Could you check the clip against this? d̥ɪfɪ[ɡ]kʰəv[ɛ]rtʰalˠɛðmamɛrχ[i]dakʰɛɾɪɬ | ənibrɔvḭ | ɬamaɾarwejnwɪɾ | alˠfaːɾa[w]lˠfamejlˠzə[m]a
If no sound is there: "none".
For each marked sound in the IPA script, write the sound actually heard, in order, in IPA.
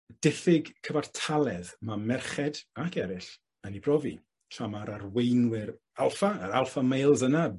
ɡ, a, ɛ, none, n

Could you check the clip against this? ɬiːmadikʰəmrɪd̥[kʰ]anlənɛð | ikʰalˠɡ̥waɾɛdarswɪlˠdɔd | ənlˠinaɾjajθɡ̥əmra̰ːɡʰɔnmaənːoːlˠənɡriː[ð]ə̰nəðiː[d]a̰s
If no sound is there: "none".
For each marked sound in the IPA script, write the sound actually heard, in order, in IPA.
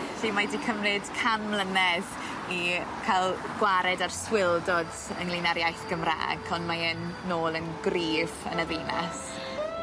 kʰ, v, n

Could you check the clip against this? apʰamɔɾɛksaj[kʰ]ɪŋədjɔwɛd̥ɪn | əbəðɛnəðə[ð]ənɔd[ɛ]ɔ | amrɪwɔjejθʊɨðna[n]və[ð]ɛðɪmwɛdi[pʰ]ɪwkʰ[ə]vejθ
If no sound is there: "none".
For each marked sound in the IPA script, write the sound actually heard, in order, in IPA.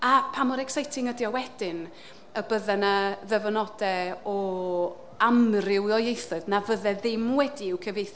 tʰ, v, ɛ, none, ð, none, ə

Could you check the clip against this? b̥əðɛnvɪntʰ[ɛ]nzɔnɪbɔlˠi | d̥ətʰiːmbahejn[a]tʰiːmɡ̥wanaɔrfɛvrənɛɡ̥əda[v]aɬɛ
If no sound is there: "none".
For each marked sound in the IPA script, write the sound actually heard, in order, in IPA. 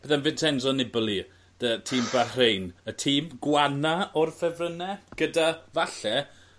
ɛ, ə, v

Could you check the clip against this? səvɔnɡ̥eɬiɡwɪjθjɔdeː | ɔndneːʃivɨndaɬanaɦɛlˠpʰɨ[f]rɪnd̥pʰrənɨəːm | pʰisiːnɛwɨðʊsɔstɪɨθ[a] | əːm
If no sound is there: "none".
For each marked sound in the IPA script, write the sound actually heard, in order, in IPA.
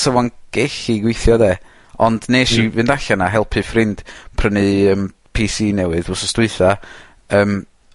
f, a

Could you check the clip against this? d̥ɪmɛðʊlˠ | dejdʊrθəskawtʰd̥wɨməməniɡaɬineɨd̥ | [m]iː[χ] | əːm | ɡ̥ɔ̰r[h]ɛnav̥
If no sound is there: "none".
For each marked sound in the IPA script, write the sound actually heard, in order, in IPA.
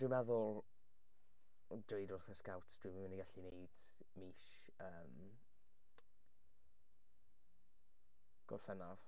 m, ʃ, f

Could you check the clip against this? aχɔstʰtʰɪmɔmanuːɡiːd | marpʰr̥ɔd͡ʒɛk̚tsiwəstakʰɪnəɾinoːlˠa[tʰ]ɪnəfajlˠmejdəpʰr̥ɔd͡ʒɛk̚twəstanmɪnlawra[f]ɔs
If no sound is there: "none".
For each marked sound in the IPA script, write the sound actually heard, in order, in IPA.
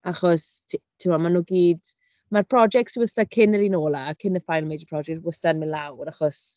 kʰ, χ

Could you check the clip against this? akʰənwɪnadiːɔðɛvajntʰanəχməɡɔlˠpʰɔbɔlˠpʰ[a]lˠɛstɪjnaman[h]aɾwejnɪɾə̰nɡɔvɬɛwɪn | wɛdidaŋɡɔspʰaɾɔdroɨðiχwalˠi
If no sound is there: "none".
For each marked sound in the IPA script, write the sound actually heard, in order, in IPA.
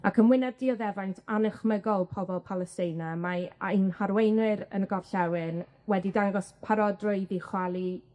a, h

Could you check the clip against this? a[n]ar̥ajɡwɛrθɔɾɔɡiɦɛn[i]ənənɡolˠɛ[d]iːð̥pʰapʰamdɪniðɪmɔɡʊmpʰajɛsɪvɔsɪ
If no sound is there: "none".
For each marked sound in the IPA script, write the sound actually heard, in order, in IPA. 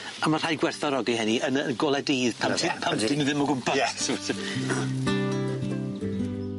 m, i, d

